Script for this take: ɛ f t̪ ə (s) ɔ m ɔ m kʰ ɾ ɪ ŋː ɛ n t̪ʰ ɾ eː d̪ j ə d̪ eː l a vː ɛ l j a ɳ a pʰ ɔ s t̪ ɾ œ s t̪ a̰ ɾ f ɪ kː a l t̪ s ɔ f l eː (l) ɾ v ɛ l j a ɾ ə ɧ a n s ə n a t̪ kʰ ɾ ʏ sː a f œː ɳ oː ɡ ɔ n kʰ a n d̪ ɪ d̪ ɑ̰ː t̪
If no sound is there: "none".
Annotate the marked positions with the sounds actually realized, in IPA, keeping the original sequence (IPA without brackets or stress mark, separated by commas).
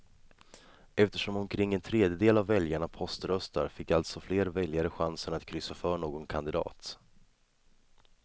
ʂ, none